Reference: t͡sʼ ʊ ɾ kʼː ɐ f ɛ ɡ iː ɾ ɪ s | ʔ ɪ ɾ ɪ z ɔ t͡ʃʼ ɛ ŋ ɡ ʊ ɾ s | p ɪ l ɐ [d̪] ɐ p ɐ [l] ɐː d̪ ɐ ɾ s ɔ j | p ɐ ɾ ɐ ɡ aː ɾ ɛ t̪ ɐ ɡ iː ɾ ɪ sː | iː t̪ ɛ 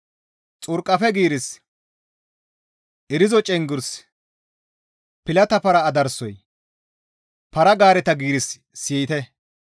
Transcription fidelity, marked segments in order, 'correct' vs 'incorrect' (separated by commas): incorrect, incorrect